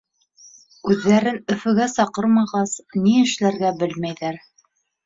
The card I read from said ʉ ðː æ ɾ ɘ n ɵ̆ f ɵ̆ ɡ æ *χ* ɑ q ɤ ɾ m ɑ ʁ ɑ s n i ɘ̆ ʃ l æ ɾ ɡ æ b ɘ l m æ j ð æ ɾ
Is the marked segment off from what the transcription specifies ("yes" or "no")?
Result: yes